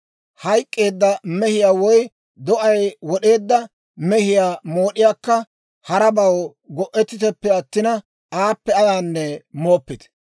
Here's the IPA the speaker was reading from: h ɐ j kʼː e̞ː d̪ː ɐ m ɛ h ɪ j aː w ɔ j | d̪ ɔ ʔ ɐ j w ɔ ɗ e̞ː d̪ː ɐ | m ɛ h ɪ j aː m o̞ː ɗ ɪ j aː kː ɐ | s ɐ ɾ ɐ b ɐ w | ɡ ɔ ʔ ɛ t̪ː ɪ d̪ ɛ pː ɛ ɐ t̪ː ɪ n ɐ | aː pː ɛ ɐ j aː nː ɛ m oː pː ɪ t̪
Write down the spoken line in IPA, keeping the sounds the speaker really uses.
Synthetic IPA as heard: h ɐ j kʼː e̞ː d̪ː ɐ m ɛ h ɪ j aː w ɔ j | d̪ ɔ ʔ ɐ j w ɔ ɗ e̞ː d̪ː ɐ | m ɛ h ɪ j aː m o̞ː ɗ ɪ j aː kː ɐ | h ɐ ɾ ɐ b ɐ w | ɡ ɔ ʔ ɛ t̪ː ɪ t̪ ɛ pː ɛ ɐ t̪ː ɪ n ɐ | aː pː ɛ ɐ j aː nː ɛ m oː pː ɪ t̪